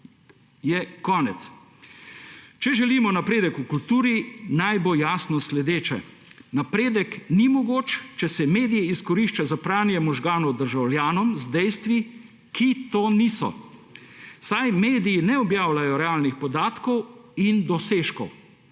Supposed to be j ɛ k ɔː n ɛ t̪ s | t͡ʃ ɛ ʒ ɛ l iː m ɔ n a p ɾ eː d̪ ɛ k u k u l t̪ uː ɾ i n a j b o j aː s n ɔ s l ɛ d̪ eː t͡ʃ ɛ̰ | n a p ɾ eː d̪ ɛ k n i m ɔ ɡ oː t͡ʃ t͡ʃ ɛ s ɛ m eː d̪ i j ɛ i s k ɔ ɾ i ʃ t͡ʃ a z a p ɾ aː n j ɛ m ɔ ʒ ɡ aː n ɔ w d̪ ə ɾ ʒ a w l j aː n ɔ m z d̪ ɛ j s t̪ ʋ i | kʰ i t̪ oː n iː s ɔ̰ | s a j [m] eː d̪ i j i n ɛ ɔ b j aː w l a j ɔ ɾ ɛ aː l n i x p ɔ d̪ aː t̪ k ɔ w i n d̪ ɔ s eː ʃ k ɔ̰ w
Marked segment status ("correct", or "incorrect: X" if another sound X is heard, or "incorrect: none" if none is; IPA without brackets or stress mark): correct